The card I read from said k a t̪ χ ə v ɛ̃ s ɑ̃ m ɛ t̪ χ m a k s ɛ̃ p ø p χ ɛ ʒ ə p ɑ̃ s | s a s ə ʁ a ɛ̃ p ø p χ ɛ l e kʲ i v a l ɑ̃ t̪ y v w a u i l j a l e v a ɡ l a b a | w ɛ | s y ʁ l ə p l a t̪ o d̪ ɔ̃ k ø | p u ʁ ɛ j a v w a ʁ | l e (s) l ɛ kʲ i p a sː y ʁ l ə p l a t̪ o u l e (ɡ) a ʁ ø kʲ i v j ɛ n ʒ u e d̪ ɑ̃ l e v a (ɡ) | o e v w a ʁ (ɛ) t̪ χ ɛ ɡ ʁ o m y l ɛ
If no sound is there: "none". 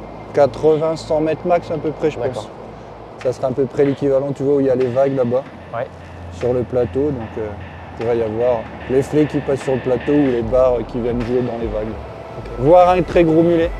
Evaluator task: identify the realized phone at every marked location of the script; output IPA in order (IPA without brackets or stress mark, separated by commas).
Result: f, b, ɡ, ɛ̃